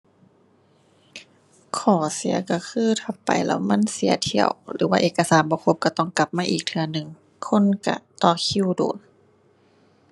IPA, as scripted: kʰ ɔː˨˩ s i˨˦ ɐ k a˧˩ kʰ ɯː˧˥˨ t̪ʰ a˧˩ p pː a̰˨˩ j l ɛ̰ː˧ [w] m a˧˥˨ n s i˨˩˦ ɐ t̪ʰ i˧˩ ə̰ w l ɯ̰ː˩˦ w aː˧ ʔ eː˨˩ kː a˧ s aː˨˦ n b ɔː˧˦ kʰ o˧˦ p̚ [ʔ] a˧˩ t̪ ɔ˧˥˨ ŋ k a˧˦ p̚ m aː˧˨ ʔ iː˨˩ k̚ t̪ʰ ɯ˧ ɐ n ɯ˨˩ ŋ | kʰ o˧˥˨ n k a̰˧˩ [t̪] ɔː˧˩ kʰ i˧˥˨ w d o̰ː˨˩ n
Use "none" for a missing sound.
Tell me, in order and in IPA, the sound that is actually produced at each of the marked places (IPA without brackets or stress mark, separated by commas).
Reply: w, k, t̪